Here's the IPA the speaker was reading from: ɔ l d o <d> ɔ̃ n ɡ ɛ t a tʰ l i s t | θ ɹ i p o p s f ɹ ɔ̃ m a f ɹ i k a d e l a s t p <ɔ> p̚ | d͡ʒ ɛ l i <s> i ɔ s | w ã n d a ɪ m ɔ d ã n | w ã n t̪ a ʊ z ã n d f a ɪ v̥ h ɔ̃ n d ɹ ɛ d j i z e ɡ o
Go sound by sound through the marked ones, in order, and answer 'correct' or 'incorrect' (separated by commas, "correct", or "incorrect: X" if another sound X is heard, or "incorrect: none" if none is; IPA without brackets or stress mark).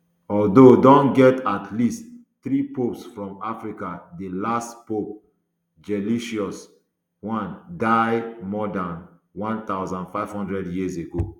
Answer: correct, incorrect: o, incorrect: ʃ